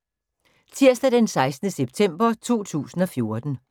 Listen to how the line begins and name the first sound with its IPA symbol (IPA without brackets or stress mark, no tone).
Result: t͡sʰ